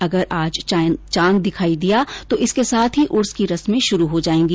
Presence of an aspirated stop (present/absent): present